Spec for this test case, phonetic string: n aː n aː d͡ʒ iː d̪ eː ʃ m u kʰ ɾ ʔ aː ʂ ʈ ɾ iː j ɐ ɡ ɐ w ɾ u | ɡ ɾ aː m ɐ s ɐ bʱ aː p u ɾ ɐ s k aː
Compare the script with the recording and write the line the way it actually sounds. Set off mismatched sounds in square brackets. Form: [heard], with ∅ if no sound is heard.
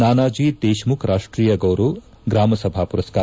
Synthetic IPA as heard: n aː n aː d͡ʒ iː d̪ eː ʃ m u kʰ ɾ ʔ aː ʂ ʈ ɾ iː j ɐ ɡ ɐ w ɾ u | ɡ ɾ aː m ɐ s ɐ bʱ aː p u ɾ ɐ s k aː